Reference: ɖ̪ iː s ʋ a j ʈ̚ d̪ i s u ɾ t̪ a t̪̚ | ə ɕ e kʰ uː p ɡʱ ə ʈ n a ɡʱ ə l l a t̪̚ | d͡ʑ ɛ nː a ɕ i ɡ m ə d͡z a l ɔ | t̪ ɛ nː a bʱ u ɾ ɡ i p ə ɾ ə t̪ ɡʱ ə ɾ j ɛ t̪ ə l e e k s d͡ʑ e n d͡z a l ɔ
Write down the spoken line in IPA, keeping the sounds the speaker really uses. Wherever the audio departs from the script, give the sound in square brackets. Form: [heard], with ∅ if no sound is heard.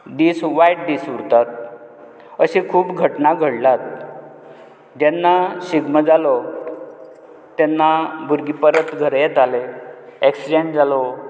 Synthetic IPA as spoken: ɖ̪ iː s ʋ a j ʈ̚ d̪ i s u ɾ t̪ a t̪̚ | ə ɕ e kʰ uː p ɡʱ ə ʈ n a ɡʱ ə [ɽ] l a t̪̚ | d͡ʑ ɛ nː a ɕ i ɡ m ə d͡z a l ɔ | t̪ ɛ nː a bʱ u ɾ ɡ i p ə ɾ ə t̪ ɡʱ ə ɾ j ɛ t̪ [a] l e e k s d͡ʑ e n d͡z a l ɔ